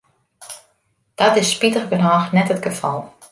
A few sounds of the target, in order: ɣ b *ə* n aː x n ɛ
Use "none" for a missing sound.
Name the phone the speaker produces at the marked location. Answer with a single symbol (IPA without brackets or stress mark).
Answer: ə